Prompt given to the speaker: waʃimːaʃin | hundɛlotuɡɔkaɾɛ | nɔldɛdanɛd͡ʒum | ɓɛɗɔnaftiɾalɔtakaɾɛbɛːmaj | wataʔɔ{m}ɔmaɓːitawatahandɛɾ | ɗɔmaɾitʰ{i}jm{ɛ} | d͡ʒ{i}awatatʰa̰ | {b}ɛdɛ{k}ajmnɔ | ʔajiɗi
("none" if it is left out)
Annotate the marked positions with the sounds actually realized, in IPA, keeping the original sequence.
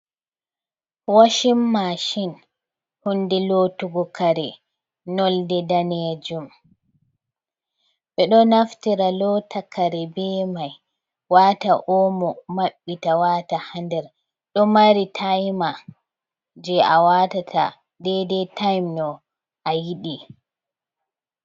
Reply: m, a, a, ɛ, d, t

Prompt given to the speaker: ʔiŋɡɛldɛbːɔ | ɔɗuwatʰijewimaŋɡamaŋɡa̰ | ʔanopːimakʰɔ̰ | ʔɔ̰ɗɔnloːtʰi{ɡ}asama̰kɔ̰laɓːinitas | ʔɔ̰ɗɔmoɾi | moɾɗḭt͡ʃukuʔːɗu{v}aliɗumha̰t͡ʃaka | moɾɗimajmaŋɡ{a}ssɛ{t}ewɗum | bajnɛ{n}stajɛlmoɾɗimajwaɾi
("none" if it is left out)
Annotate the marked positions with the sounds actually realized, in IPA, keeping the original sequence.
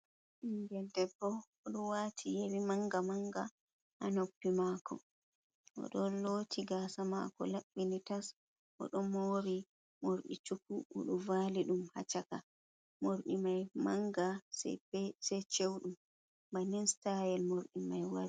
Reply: ɡ, v, a, t͡ʃ, n

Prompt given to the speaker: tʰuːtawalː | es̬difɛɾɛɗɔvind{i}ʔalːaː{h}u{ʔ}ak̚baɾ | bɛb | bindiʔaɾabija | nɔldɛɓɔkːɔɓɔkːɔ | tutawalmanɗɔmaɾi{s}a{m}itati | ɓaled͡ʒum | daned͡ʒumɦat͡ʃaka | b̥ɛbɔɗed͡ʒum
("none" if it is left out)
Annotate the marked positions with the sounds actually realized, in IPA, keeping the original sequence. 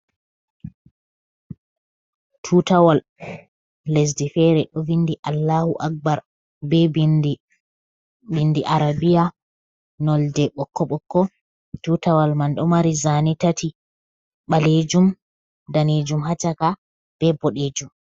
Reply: i, h, ʔ, z, n

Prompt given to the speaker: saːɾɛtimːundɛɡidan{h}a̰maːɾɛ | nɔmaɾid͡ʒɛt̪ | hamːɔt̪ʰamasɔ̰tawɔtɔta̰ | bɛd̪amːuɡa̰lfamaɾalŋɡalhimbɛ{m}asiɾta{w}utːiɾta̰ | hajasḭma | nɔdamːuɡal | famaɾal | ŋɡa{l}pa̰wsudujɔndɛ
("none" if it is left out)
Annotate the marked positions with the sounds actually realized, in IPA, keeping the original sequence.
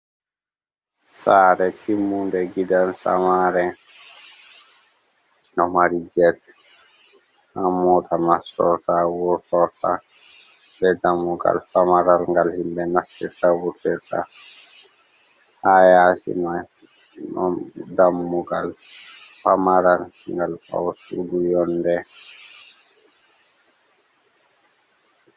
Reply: s, n, w, l

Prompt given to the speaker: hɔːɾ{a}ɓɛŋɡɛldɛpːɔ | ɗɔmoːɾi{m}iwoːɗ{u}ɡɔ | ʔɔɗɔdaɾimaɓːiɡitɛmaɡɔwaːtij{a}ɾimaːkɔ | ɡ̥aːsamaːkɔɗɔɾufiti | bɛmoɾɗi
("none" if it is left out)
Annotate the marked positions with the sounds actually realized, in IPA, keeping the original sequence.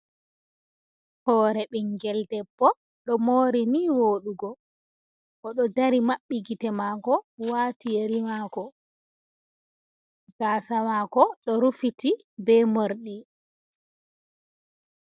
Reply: ɛ, n, u, e

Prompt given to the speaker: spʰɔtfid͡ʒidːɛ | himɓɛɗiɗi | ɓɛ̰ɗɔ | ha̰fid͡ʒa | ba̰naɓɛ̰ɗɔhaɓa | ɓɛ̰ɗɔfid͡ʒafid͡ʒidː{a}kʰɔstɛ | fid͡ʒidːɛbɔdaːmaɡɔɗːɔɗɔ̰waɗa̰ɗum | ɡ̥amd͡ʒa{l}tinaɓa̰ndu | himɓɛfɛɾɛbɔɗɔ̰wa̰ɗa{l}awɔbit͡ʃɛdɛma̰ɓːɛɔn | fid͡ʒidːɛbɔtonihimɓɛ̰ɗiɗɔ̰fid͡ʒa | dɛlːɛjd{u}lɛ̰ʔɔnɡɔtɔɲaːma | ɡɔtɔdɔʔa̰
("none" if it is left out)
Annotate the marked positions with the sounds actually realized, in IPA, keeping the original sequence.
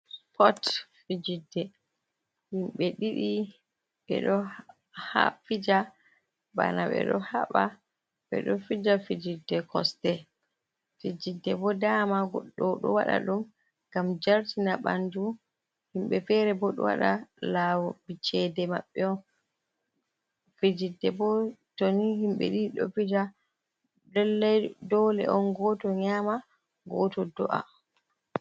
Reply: ɛ, ɾ, l, ɔ

